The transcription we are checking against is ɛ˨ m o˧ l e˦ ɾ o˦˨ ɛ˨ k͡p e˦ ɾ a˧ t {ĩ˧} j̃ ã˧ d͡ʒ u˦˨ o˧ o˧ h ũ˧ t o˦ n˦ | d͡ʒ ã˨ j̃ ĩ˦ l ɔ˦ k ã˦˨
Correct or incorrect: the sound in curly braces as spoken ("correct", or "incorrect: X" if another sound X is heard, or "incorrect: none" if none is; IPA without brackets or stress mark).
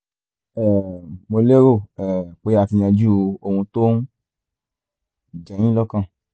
incorrect: i˧